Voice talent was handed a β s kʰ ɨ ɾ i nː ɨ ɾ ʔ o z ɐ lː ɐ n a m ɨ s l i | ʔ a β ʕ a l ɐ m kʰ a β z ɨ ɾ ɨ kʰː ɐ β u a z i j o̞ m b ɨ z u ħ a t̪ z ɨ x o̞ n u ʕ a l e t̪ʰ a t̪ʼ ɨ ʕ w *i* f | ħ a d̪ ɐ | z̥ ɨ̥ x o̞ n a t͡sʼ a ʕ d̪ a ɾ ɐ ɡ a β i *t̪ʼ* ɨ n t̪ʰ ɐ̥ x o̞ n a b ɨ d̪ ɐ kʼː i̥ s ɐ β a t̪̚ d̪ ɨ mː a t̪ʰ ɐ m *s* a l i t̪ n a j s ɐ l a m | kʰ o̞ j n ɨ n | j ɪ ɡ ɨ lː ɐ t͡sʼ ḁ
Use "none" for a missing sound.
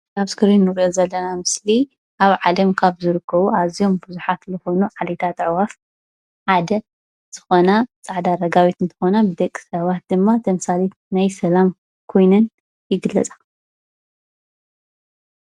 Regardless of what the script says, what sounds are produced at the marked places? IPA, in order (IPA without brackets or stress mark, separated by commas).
a, t̪, s